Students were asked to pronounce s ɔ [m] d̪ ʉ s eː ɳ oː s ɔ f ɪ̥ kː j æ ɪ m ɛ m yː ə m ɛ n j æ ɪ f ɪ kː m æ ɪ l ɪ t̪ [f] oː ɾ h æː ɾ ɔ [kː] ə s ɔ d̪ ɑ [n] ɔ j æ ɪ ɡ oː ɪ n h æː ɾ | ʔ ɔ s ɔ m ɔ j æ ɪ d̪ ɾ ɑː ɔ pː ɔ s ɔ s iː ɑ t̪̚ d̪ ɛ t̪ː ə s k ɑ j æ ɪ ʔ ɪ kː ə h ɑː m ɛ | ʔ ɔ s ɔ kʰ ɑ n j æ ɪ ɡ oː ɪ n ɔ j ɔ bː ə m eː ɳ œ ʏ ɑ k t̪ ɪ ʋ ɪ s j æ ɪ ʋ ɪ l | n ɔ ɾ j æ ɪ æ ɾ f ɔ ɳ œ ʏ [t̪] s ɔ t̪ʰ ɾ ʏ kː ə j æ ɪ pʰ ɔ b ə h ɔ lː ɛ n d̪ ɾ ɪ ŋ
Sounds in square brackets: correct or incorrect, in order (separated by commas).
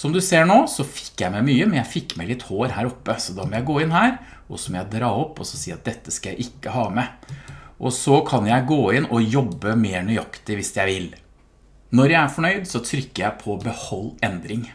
correct, incorrect, incorrect, incorrect, incorrect